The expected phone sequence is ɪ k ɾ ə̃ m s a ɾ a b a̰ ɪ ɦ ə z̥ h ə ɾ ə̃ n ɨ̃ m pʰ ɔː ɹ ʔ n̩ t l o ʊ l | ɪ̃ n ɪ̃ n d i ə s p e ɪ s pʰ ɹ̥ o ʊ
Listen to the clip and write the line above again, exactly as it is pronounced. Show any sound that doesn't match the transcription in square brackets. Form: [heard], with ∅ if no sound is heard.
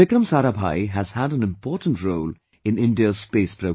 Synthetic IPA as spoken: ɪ k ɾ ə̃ m s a ɾ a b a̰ ɪ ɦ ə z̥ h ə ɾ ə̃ n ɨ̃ m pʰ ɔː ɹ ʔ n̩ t [ɹ] o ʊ l | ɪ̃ n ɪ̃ n d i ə s p e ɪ s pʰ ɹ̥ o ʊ

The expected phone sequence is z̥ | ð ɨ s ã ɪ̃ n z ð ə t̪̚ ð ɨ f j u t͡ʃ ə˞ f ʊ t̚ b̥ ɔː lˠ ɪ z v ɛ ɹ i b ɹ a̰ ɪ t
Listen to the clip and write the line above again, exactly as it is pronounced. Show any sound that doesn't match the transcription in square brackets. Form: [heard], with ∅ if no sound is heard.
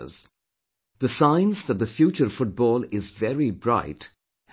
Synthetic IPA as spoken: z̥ | ð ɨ s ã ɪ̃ n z ð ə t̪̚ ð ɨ f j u t͡ʃ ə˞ f ʊ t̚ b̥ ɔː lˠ ɪ z v ɛ ɹ i b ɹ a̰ ɪ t

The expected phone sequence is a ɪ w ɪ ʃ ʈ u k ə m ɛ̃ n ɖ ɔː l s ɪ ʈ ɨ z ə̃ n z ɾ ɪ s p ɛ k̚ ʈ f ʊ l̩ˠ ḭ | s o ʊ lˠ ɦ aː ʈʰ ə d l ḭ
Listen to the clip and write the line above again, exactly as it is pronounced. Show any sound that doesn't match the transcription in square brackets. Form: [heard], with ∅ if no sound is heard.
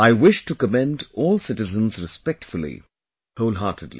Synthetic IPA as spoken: a ɪ w ɪ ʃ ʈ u k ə m ɛ̃ n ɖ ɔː l s ɪ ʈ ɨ z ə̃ n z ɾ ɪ s p ɛ k̚ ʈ f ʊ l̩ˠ ḭ | [h] o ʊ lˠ ɦ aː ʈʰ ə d l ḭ

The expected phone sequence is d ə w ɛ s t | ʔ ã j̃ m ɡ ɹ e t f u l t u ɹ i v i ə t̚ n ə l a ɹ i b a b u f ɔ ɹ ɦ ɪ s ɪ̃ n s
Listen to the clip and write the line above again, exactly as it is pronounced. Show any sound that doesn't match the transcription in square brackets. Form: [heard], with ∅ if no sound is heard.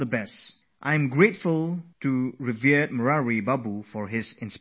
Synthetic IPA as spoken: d ə [b] ɛ s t | ʔ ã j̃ m ɡ ɹ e t f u l t u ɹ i v i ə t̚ [m] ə [ɹ] a ɹ i b a b u f ɔ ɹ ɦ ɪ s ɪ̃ n s

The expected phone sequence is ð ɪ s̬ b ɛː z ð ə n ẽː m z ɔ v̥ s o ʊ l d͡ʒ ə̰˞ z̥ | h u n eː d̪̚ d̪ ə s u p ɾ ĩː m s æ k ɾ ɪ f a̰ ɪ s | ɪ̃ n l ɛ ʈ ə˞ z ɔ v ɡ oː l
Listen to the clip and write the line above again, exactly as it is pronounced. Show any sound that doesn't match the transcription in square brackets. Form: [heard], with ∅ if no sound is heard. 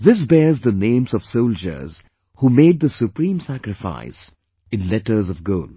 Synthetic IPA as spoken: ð ɪ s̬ b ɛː z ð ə n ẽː m z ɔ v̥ s o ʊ l d͡ʒ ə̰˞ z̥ | h u [m] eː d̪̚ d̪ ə s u p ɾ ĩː m s æ k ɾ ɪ f a̰ ɪ s | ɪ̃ n l ɛ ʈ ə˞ z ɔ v ɡ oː l

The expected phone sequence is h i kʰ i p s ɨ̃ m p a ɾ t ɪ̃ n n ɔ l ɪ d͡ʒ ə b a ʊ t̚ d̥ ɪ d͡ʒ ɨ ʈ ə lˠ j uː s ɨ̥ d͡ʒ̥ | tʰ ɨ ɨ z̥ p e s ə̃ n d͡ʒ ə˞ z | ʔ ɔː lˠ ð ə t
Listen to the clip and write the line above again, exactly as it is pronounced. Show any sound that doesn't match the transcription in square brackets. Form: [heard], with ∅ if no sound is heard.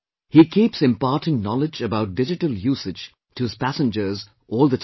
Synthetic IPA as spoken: h i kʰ i p s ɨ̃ m p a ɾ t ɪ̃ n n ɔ l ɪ d͡ʒ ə b a ʊ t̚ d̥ ɪ d͡ʒ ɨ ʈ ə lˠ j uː s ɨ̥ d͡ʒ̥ | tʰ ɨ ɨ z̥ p [æ] s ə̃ n d͡ʒ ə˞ z | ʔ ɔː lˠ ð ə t

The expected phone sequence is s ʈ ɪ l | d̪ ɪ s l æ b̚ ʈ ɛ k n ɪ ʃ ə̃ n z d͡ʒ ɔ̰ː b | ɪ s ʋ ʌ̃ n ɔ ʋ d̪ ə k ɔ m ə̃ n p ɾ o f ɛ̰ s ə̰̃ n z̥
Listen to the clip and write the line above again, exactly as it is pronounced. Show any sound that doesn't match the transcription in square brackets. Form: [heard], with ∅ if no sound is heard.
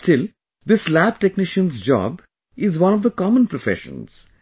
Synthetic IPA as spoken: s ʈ ɪ l | d̪ ɪ s l æ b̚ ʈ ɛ k n ɪ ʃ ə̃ n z d͡ʒ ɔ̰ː b | ɪ [z] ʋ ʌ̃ n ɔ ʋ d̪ ə k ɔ m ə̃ n p ɾ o f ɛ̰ [ʃ] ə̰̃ n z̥

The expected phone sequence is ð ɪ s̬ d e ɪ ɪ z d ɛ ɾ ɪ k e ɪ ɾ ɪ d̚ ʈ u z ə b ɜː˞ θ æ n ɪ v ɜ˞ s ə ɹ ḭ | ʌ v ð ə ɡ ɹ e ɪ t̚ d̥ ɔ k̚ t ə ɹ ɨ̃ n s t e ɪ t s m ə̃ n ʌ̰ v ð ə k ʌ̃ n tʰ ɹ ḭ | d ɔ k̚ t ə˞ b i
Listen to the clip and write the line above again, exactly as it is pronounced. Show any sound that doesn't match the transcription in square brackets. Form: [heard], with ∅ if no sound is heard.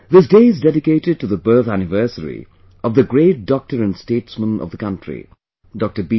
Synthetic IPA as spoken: ð ɪ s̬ d e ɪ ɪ z d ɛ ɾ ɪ k e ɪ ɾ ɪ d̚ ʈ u [ð] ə b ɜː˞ θ æ n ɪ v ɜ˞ s ə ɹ ḭ | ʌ v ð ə ɡ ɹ e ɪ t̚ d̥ ɔ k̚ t ə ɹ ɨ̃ n s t e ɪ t s m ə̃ n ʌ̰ v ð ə k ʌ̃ n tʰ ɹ ḭ | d ɔ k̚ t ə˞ b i

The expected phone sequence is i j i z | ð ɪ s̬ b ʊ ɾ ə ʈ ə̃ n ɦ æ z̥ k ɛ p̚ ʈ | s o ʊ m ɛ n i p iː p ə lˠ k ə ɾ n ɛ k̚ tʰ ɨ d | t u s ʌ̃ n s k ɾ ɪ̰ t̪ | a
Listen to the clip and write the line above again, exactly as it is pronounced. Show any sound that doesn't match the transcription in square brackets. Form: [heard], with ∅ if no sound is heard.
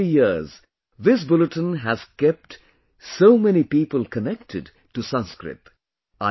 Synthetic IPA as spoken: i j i z | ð ɪ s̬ b ʊ [l] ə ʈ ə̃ n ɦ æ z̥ k ɛ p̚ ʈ | s o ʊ m ɛ n i p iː p ə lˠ k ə [∅] n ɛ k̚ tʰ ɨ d | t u s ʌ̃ n s k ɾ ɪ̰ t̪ | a

